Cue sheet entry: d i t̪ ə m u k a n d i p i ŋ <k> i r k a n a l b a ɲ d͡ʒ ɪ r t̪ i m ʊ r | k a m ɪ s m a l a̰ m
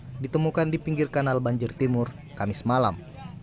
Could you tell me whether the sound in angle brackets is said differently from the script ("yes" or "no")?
yes